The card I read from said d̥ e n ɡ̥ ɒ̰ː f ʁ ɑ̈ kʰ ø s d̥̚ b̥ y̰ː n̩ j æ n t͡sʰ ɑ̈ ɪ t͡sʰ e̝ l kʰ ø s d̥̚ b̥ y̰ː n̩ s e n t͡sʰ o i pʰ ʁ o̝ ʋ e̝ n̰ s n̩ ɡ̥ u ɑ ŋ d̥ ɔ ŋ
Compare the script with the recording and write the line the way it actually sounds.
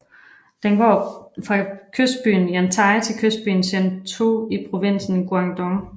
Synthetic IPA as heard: d̥ e n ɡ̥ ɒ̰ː f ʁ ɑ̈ kʰ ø s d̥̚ b̥ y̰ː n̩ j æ n t͡sʰ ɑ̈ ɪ t͡sʰ e̝ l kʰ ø s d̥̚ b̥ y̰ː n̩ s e n t͡sʰ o i pʰ ʁ o̝ ʋ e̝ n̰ s n̩ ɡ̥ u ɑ ŋ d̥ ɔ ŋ